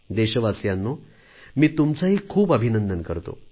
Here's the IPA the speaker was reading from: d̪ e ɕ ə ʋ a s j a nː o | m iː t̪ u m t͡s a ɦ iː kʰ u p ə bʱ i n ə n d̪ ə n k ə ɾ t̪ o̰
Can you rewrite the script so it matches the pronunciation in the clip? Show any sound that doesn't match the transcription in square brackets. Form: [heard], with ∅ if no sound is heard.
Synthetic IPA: d̪ e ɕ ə ʋ a s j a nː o | m iː t̪ u m t͡s a ɦ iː kʰ [uː] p ə bʱ i n ə n d̪ ə n k ə ɾ t̪ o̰